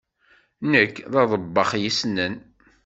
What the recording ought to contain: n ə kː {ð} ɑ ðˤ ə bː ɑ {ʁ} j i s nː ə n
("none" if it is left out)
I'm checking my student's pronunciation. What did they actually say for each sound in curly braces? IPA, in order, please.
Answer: ð, χ

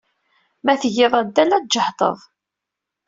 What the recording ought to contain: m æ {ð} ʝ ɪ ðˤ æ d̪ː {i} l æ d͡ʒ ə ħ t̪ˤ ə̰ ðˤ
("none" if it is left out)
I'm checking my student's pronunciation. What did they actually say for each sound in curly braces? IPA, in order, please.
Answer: θ, æ

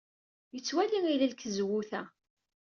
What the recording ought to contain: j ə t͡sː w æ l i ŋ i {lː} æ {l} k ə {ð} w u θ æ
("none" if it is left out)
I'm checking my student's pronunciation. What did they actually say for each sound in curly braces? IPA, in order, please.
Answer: l, l, z

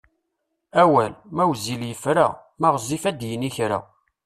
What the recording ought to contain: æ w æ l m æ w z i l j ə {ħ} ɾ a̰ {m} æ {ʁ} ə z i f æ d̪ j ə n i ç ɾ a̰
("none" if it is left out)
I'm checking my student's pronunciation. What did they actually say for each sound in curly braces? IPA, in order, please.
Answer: f, m, ʁ

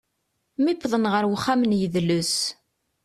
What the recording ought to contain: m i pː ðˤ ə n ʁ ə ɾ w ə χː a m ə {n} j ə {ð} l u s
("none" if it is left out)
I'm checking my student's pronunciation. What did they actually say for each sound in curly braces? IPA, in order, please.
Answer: n, ð

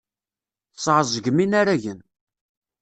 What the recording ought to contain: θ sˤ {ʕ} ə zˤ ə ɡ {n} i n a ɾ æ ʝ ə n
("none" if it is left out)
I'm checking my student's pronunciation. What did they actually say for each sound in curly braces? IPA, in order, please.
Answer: ʕ, m

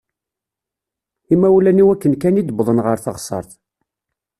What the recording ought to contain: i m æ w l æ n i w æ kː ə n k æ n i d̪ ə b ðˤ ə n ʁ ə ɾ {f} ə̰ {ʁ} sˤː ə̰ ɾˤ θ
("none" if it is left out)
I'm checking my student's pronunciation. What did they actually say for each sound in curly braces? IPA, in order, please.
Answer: θ, ʁ

